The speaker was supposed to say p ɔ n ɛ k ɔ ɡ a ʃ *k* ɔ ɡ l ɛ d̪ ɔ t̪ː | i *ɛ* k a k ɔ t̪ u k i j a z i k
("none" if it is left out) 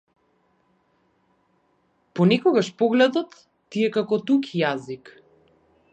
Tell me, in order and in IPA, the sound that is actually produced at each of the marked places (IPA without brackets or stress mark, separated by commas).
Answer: p, ɛ